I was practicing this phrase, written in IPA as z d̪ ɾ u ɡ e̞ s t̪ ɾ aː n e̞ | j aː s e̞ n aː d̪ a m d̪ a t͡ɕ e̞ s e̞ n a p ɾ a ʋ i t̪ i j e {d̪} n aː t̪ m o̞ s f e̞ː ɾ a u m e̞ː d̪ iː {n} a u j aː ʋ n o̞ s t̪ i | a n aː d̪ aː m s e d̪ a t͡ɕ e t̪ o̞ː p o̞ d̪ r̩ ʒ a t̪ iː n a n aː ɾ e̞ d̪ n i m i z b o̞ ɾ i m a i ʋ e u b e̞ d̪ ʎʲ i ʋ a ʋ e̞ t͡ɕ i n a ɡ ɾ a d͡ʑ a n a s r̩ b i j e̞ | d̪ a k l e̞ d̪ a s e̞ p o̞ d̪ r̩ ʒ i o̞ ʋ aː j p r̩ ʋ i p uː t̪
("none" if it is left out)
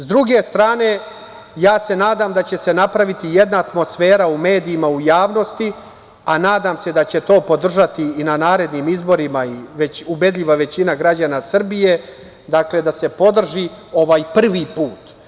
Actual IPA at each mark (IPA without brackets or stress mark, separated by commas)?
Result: d̪, m